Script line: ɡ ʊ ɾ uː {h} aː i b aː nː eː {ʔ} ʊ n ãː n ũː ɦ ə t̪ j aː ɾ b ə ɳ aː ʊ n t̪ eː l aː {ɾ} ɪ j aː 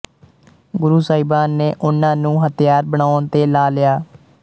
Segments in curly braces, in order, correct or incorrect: incorrect: s, correct, incorrect: l

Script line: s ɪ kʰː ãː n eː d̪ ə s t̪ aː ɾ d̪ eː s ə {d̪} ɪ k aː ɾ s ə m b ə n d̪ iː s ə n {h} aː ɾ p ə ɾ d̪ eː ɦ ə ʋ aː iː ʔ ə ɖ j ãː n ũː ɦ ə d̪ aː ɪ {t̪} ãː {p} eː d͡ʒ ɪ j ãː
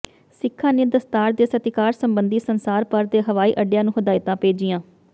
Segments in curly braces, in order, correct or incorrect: incorrect: t̪, incorrect: s, correct, correct

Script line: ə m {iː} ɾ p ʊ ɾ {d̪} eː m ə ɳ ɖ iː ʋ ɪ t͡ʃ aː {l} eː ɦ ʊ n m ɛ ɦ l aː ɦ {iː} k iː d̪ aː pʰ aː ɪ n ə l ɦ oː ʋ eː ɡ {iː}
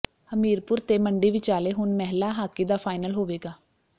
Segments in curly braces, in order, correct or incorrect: correct, incorrect: t̪, correct, incorrect: aː, incorrect: aː

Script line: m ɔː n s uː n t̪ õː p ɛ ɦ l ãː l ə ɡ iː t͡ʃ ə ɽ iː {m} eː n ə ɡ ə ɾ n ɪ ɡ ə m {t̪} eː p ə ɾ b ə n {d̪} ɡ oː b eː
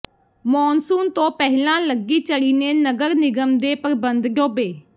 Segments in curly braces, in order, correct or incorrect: incorrect: n, incorrect: d̪, correct

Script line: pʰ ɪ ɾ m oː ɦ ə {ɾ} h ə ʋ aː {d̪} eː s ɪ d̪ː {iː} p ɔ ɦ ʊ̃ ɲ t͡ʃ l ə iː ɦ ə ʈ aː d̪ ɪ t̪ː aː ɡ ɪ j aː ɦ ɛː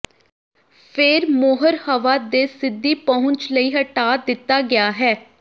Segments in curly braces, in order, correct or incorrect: correct, correct, correct

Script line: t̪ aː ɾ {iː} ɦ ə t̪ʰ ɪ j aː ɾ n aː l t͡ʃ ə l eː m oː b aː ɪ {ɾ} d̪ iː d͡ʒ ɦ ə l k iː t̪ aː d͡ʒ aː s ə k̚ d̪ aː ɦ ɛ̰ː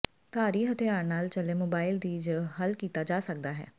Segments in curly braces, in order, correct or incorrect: correct, incorrect: l

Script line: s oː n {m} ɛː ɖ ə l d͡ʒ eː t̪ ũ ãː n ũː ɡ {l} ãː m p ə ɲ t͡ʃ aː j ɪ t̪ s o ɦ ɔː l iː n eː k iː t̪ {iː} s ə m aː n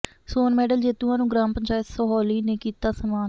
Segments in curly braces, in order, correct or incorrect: correct, incorrect: ɾ, incorrect: aː

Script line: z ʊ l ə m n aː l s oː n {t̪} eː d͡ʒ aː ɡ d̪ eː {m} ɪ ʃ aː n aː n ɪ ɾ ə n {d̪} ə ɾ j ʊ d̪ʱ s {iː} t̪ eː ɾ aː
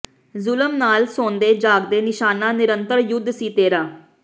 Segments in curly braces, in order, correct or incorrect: incorrect: d̪, incorrect: n, incorrect: t̪, correct

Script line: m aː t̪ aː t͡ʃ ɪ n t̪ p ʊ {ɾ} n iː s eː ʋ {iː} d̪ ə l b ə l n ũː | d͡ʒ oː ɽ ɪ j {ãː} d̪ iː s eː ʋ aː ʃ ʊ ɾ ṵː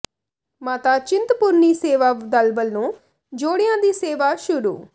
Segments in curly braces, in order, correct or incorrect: correct, incorrect: aː, correct

